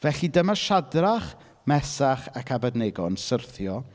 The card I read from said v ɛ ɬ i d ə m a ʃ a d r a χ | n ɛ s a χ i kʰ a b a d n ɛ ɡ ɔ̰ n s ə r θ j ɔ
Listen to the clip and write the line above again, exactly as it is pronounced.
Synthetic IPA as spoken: v ɛ ɬ i d ə m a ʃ a d r a χ | m ɛ s a χ a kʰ a b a d n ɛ ɡ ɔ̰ n s ə r θ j ɔ